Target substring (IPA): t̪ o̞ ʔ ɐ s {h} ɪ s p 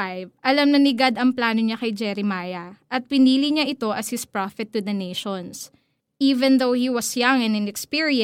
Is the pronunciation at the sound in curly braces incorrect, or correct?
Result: correct